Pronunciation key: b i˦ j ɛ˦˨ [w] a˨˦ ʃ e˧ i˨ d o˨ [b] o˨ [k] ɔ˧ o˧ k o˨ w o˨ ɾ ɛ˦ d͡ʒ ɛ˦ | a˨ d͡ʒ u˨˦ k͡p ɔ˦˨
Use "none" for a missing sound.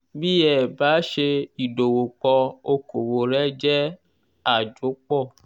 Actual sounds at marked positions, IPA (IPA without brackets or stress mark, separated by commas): b, w, k͡p